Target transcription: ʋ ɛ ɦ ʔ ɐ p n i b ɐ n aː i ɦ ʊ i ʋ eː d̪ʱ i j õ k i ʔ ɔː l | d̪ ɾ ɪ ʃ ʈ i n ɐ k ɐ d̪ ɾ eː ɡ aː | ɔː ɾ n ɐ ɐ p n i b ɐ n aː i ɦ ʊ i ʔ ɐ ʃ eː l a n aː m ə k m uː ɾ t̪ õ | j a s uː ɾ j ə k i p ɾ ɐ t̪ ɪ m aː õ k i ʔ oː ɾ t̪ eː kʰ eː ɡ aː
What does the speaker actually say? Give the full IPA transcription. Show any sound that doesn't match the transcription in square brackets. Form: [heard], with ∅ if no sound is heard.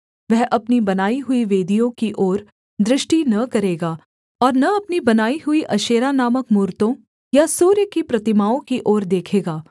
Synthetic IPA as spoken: ʋ ɛ ɦ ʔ ɐ p n i b ɐ n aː i ɦ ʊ i ʋ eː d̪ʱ i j õ k i ʔ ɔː [ɾ] | d̪ ɾ ɪ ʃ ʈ i n ɐ k ɐ [∅] ɾ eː ɡ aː | ɔː ɾ n ɐ ɐ p n i b ɐ n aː i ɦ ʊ i ʔ ɐ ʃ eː [ɾ] a n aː m ə k m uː ɾ t̪ õ | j a s uː ɾ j ə k i p ɾ ɐ t̪ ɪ m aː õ k i ʔ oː ɾ [d̪] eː kʰ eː ɡ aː